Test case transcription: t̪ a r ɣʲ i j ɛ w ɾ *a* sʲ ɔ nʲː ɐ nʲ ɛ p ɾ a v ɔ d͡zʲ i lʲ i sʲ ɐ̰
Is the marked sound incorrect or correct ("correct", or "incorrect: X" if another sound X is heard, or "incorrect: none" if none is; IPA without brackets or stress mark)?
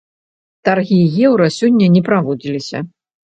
incorrect: ɐ